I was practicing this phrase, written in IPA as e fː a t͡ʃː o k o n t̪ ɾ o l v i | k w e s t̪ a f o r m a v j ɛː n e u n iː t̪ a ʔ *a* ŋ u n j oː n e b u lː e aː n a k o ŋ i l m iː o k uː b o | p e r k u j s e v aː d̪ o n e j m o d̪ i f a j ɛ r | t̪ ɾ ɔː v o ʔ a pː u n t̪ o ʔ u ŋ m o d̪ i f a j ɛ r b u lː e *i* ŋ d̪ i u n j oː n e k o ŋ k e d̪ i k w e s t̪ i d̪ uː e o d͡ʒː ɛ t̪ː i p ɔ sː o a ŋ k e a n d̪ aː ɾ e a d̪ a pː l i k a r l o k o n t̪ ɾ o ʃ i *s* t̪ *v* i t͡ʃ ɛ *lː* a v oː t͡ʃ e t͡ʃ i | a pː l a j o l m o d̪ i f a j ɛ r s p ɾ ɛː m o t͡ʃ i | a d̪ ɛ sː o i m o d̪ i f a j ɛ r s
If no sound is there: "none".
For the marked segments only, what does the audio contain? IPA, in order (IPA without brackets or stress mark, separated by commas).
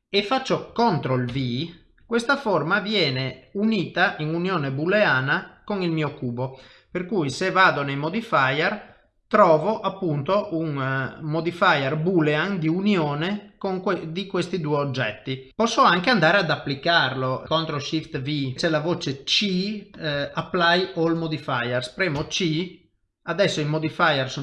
i, a, f, v, l